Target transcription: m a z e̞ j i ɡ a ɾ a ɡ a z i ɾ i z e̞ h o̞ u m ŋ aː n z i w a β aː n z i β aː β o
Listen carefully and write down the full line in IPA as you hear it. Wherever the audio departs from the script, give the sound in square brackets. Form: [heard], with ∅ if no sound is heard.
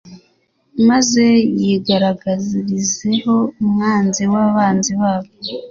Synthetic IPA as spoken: m a z e̞ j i ɡ a ɾ a ɡ a z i ɾ i z e̞ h o̞ u m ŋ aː n z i w a β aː n z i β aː β o